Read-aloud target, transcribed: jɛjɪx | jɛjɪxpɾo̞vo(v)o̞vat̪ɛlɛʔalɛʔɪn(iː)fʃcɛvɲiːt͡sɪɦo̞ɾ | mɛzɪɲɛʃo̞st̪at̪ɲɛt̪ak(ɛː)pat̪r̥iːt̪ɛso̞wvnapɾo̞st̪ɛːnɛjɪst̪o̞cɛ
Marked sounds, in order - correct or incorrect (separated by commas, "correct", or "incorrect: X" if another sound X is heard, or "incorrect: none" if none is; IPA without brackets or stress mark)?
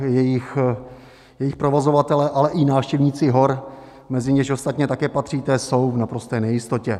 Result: incorrect: z, incorrect: aː, correct